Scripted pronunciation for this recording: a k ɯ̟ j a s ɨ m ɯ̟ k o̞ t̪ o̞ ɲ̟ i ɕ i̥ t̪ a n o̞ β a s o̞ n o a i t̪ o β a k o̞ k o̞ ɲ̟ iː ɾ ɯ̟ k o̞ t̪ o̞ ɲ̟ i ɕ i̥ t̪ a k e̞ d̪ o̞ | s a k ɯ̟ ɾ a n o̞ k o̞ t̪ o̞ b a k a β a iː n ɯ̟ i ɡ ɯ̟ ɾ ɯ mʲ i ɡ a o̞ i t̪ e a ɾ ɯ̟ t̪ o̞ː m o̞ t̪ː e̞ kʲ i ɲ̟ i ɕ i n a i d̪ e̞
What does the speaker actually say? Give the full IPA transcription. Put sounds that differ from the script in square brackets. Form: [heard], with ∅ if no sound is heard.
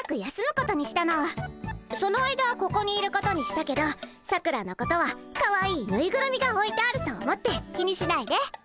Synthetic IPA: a k ɯ̟ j a s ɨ m ɯ̟ k o̞ t̪ o̞ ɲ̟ i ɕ i̥ t̪ a n o̞ β a s o̞ n o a i [d̪] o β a k o̞ k o̞ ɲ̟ iː ɾ ɯ̟ k o̞ t̪ o̞ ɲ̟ i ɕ i̥ t̪ a k e̞ d̪ o̞ | s a k ɯ̟ ɾ a n o̞ k o̞ t̪ o̞ [β] a k a β a iː n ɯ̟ i ɡ ɯ̟ ɾ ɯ mʲ i ɡ a o̞ i t̪ e a ɾ ɯ̟ t̪ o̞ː m o̞ t̪ː e̞ kʲ i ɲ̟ i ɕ i n a i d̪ e̞